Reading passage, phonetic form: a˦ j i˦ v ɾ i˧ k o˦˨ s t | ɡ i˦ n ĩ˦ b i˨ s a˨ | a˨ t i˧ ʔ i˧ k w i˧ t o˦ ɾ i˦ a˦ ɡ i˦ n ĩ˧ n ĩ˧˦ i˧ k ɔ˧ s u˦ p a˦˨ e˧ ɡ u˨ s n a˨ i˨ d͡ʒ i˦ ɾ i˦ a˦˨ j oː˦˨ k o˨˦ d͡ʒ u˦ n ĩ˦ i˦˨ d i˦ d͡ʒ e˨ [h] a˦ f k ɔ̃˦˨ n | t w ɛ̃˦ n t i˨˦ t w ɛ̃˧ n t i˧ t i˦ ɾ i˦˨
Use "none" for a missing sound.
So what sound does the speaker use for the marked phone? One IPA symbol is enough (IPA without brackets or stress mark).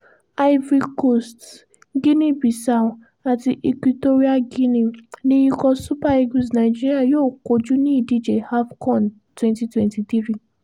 h